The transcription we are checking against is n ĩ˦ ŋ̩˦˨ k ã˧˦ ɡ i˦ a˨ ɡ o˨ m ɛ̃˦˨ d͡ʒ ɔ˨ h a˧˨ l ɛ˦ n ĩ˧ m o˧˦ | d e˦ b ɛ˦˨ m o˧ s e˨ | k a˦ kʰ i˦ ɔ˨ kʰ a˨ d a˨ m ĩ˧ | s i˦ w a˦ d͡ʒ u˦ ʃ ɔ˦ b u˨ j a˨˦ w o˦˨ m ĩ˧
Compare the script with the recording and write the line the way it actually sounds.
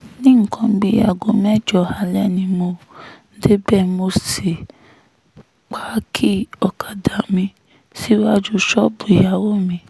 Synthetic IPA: n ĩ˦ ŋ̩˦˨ k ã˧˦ ɡ͡b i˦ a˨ ɡ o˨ m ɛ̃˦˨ d͡ʒ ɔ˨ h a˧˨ l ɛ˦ n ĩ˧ m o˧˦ | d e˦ b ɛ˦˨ m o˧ s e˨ | k͡p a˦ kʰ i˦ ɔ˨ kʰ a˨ d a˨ m ĩ˧ | s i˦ w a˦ d͡ʒ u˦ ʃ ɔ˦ b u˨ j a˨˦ w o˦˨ m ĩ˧